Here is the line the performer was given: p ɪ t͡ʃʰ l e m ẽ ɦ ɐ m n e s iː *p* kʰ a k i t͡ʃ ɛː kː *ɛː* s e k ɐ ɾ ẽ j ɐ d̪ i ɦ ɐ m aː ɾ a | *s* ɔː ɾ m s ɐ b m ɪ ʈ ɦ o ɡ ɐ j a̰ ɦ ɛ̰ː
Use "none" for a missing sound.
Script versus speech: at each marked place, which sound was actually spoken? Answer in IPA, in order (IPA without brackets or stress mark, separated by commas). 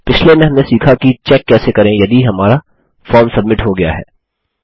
none, ɛː, f